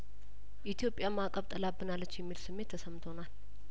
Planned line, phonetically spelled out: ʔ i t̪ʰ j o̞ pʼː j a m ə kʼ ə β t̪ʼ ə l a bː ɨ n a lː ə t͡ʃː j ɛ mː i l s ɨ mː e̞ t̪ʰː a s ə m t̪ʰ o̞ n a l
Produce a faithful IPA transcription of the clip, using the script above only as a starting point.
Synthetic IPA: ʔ i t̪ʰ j o̞ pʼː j a m a kʼ ə β t̪ʼ ə l a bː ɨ n a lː ə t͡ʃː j ɛ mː i l s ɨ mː e̞ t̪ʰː ə s ə m t̪ʰ o̞ n a l